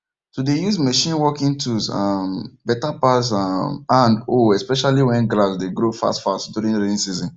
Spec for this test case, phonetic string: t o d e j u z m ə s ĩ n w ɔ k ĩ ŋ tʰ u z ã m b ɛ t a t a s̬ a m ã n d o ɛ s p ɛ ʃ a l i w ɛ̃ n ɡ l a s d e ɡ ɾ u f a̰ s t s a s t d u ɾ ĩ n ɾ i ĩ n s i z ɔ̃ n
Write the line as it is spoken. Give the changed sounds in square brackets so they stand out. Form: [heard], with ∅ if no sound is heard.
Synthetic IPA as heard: [s] o d e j u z m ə [ʃ] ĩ n w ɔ k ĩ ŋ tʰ u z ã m b ɛ t a [p] a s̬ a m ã n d o ɛ s p ɛ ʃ a l i w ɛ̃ n ɡ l a s d e ɡ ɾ [o] f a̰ s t [f] a s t d u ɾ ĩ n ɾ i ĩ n s i z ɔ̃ n